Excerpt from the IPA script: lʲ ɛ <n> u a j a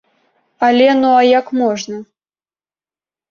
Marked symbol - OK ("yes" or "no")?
yes